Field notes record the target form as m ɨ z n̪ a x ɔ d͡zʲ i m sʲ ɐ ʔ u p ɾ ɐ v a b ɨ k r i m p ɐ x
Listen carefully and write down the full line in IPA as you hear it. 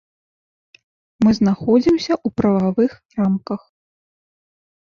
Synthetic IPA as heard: m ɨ z n̪ a x ɔ d͡zʲ i m sʲ ɐ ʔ u p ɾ ɐ v a v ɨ x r a m k ɐ x